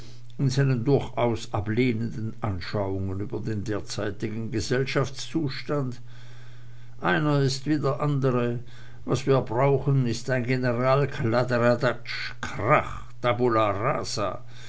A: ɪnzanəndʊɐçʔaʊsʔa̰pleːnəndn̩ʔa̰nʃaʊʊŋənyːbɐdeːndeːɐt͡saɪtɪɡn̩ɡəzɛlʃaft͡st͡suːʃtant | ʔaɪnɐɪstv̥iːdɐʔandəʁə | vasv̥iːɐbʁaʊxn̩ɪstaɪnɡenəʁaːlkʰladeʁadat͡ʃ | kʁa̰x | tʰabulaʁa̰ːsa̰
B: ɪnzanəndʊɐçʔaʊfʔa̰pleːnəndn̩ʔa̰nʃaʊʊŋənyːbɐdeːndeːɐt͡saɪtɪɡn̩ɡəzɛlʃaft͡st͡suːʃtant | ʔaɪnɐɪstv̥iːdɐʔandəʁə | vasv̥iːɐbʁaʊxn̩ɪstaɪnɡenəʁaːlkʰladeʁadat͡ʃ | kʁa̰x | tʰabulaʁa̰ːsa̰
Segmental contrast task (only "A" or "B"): A